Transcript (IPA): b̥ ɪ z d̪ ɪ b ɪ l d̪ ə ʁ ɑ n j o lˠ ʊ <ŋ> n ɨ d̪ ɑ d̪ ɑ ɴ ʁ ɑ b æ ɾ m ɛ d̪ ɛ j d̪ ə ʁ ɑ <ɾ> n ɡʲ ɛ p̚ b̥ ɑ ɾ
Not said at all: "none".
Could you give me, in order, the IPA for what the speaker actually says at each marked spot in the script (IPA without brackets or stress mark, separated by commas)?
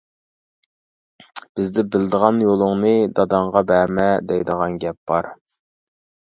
ŋ, none